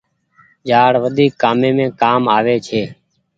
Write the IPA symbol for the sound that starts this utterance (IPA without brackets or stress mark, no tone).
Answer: d͡ʒ